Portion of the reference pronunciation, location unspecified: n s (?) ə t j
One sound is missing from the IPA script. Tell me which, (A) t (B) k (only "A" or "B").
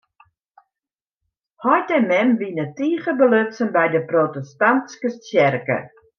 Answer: B